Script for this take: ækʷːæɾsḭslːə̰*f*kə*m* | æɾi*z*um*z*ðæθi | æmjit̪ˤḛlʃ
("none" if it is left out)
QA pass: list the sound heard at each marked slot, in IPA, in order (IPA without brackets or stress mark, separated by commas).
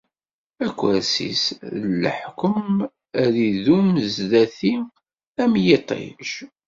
ħ, m, ð, z